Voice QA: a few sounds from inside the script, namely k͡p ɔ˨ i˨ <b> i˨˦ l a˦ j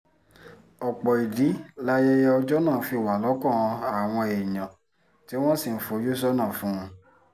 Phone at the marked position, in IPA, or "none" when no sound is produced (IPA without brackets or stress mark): d